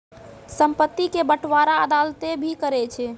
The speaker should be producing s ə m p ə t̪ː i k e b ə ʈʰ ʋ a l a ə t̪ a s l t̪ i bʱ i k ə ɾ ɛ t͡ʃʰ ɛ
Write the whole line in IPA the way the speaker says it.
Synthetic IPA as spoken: s ə m p ə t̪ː i k e b ə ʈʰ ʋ a ɾ a ə d̪ a l t̪ e bʱ i k ə ɾ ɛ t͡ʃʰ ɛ